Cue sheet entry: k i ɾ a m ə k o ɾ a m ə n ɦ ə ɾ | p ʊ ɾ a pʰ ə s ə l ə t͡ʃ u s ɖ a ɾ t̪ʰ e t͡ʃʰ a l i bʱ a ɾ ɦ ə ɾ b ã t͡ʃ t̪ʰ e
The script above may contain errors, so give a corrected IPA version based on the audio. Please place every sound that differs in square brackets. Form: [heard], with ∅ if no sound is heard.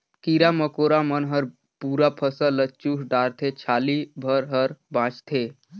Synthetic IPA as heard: k i ɾ a m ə k o ɾ a m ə n ɦ ə ɾ | p [u] ɾ a pʰ ə s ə l ə t͡ʃ u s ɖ a ɾ t̪ʰ e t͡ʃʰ a l i bʱ [ə] ɾ ɦ ə ɾ b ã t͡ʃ t̪ʰ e